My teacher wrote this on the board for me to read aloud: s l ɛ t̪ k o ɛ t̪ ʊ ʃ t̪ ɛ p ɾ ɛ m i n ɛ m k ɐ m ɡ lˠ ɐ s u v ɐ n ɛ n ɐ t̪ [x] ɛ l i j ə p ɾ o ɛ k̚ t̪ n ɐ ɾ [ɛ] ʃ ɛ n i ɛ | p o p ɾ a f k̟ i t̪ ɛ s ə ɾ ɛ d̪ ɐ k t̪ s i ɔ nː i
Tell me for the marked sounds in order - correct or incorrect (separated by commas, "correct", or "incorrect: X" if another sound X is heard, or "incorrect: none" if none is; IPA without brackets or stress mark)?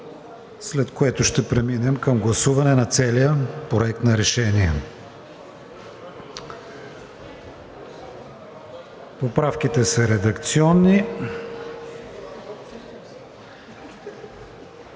incorrect: s, correct